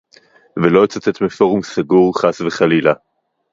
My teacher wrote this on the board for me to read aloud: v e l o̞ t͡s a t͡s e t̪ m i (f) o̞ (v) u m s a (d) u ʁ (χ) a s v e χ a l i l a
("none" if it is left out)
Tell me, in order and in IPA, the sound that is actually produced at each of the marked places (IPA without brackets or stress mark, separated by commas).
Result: f, ʁ, ɡ, χ